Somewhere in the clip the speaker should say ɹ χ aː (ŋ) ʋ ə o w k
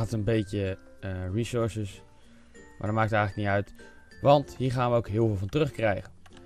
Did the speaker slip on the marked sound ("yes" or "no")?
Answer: yes